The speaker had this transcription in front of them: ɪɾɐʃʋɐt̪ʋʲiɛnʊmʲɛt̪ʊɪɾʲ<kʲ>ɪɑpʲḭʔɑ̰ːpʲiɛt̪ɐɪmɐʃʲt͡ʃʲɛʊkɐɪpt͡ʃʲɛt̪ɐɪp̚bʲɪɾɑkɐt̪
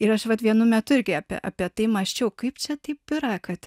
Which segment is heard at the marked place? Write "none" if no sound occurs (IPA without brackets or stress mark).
ɡʲ